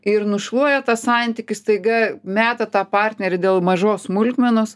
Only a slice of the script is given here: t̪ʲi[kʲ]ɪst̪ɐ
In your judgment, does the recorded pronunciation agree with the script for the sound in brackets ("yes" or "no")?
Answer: yes